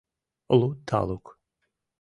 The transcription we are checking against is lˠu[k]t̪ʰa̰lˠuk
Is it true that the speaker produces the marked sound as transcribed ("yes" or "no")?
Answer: no